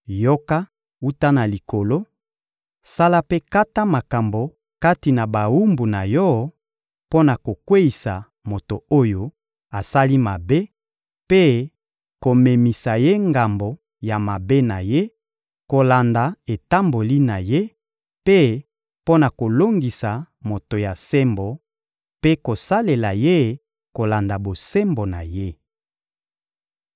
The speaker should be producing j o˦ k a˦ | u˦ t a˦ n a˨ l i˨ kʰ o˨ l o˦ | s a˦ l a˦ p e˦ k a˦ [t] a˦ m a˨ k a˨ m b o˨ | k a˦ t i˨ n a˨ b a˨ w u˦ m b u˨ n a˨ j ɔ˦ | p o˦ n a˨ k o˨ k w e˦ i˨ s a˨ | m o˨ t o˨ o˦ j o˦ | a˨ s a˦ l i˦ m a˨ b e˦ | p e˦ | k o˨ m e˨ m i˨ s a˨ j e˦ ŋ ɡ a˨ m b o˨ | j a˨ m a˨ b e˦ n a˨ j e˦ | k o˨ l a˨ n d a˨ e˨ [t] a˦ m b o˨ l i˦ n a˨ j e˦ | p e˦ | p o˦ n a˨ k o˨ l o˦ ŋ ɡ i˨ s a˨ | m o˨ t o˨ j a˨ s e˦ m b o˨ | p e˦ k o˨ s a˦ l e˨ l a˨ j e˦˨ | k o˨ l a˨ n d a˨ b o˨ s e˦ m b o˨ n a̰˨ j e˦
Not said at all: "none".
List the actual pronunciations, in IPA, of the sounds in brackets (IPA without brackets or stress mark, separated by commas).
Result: t, t